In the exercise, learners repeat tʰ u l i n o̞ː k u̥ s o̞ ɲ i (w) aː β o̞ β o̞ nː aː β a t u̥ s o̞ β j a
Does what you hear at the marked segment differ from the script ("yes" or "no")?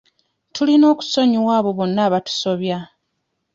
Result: no